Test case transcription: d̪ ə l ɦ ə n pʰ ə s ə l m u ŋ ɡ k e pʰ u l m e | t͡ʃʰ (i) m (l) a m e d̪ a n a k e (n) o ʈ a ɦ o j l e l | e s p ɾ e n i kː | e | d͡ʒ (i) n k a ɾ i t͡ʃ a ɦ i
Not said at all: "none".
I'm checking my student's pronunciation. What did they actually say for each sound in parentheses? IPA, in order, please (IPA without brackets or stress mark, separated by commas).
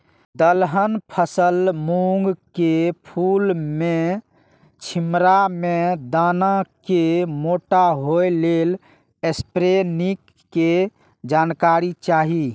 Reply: i, ɾ, m, a